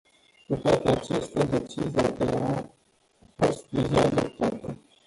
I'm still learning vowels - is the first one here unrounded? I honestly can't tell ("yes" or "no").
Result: no